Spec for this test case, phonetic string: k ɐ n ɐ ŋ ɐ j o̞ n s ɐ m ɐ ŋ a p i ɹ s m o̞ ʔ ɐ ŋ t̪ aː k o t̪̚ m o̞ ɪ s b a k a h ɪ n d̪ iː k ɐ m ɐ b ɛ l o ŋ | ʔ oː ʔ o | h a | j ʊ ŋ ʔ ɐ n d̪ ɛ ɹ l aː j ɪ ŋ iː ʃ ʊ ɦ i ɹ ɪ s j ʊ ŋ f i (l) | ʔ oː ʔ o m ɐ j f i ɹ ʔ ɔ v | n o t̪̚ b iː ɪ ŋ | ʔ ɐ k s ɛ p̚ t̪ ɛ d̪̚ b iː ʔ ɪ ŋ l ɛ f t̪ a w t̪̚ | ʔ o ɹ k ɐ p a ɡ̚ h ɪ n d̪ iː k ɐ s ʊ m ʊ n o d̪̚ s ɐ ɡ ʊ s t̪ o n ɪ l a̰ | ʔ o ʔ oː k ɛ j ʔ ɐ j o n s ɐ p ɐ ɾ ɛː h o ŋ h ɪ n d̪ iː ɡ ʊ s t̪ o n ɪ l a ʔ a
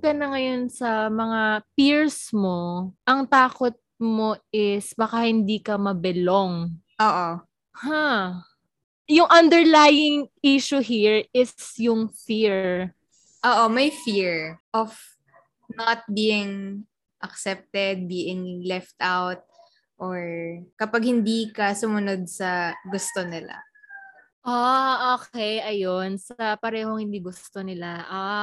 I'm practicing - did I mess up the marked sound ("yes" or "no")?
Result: yes